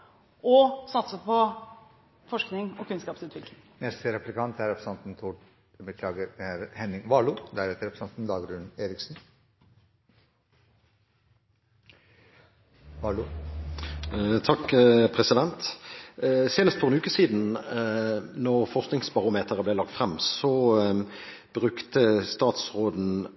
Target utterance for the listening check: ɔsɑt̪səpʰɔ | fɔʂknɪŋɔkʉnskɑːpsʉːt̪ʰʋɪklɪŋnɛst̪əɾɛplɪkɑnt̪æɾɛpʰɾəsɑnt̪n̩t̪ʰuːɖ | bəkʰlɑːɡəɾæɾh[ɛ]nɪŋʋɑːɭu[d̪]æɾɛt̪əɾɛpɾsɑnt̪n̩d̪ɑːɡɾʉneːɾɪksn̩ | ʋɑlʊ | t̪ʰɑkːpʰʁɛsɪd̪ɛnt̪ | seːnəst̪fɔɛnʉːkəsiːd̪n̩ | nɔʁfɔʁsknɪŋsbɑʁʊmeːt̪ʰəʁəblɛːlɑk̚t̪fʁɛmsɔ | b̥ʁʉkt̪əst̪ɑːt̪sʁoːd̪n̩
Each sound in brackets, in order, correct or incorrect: correct, correct

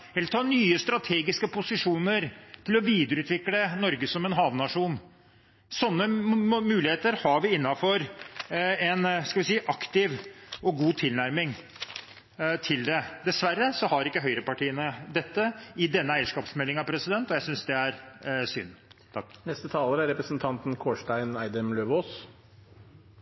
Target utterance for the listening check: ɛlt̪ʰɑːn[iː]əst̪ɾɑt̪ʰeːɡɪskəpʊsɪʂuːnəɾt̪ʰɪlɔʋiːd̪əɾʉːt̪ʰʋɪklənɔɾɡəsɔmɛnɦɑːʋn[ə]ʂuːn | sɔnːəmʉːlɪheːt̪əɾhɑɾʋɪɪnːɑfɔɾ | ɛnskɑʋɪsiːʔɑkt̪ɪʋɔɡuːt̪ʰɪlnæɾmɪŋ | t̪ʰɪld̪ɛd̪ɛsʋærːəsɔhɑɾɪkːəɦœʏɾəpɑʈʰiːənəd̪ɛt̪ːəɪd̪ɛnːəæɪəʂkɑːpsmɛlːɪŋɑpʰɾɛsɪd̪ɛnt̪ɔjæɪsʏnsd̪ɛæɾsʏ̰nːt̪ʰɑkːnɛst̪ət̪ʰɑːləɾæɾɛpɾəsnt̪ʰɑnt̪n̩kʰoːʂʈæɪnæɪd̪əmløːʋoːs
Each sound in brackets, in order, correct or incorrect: incorrect, incorrect

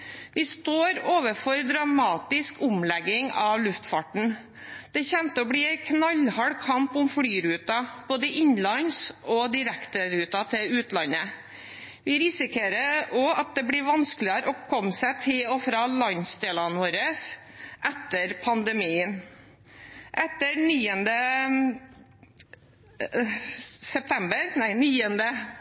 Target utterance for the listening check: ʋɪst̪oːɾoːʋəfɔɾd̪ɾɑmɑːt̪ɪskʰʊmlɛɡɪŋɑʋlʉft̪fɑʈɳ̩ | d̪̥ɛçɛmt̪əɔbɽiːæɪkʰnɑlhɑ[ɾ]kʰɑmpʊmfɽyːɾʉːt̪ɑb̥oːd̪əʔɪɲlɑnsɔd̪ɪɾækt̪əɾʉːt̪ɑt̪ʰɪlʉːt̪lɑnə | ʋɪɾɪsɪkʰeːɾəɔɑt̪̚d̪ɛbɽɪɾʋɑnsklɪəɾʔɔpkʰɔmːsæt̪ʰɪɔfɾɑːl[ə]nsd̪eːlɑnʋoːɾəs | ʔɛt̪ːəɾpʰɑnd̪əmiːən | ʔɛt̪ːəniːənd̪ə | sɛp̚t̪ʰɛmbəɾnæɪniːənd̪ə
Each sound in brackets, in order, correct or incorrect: incorrect, incorrect

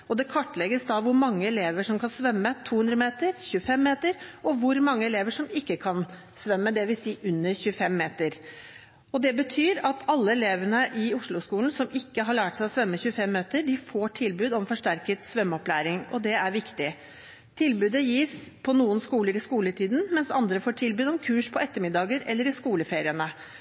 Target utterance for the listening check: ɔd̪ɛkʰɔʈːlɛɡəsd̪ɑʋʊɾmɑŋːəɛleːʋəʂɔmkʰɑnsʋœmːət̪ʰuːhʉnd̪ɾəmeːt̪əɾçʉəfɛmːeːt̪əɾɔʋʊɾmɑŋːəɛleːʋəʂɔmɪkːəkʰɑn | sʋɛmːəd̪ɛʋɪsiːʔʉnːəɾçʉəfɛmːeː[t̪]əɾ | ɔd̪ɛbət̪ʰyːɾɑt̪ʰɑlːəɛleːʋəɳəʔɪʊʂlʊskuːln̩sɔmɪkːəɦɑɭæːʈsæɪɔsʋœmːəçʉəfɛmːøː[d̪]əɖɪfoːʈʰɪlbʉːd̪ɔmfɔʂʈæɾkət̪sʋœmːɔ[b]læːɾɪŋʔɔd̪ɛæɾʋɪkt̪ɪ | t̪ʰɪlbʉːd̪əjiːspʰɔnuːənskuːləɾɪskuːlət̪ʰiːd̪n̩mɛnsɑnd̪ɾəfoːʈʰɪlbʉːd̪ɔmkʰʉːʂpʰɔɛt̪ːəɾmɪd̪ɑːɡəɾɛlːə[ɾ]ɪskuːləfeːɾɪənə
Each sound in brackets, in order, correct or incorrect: correct, incorrect, incorrect, correct

